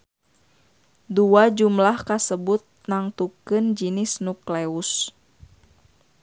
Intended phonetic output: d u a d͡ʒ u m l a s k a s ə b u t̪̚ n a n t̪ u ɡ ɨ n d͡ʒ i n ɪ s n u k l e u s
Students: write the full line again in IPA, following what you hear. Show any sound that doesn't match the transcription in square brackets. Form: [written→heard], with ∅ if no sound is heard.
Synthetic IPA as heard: d u a d͡ʒ u m l a [s→h] k a s ə b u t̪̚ n a [n→ŋ] t̪ u [ɡ→k] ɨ n d͡ʒ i n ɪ s n u k l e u s

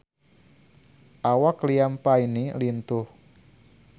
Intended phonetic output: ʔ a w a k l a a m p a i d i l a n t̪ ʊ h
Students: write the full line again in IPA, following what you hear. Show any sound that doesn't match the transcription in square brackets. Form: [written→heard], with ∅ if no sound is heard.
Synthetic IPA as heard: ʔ a w a k l [a→i] a m p a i [d→n] i l [a→i] n t̪ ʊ h

